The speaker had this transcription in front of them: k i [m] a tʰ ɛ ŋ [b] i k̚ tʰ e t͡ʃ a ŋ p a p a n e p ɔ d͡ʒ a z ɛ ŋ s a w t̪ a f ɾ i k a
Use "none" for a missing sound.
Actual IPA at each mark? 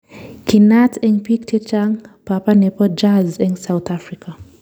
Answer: n, p

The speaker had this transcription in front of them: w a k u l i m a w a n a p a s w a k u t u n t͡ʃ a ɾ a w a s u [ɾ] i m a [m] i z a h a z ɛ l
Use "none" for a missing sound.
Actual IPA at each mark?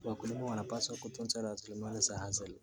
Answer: l, n

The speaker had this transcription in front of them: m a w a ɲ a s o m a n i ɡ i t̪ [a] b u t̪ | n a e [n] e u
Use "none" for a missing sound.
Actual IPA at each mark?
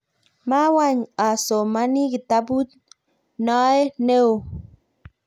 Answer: a, n

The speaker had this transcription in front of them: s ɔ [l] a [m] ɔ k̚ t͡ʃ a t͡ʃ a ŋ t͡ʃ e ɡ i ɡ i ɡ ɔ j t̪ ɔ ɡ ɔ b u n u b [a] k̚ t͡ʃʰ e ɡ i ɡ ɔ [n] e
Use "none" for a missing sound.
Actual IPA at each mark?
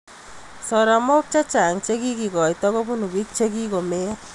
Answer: ɾ, m, i, m

